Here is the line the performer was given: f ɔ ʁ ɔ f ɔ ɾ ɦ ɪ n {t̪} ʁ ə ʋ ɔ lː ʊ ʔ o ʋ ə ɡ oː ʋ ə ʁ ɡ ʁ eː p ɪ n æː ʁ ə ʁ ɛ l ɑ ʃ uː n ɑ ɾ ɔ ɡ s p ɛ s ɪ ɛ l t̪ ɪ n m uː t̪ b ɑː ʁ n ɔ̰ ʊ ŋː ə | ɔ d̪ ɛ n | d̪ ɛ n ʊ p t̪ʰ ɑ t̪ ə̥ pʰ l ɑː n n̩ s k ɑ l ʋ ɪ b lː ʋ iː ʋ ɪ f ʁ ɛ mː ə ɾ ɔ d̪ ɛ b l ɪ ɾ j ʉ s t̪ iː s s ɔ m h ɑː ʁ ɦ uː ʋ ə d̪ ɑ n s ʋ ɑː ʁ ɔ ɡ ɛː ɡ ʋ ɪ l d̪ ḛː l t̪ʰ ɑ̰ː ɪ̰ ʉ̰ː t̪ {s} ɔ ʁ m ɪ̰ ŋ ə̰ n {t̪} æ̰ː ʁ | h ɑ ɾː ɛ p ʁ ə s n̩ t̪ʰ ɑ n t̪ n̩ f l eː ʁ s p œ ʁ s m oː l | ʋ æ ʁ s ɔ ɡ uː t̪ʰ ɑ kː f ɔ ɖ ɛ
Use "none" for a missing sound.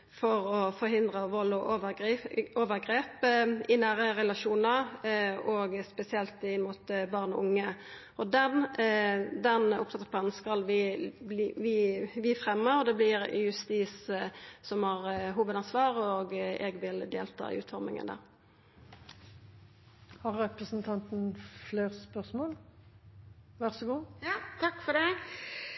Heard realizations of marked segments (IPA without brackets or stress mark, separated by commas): d̪, f, d̪